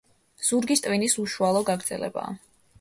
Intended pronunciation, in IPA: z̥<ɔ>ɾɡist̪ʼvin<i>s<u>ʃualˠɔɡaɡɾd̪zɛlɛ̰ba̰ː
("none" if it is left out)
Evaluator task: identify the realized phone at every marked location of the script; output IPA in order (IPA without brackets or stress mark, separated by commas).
u, i, u